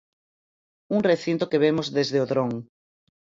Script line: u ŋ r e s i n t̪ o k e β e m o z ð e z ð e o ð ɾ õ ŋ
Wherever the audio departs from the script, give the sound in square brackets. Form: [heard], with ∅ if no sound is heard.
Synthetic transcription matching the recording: u ŋ r e [θ] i n t̪ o k e β e m o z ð e z ð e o ð ɾ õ ŋ